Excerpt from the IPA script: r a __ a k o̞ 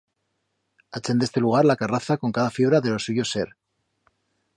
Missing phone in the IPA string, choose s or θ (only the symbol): θ